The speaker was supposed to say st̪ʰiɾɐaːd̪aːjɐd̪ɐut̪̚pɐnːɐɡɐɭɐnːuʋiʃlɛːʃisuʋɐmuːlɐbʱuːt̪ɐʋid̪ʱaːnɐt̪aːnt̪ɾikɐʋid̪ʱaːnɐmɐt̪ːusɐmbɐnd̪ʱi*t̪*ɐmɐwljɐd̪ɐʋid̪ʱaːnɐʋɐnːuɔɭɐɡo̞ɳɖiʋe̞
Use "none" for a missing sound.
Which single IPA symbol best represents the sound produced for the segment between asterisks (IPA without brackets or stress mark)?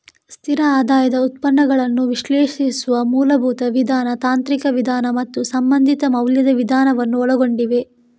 t̪